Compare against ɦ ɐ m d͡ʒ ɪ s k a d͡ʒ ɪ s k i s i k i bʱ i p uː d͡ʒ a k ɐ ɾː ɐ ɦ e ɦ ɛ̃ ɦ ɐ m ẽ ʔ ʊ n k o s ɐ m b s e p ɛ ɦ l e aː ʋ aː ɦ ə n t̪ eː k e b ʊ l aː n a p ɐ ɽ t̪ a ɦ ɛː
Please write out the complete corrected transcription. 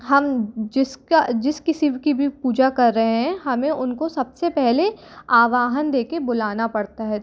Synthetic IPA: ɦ ɐ m d͡ʒ ɪ s k a d͡ʒ ɪ s k ɪ s i k i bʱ i p uː d͡ʒ a k ɐ ɾː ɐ ɦ e ɦ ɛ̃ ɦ ɐ m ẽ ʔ ʊ n k o s ɐ b s e p ɛ ɦ l e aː ʋ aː ɦ ə n d̪ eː k e b ʊ l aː n a p ɐ ɽ t̪ a ɦ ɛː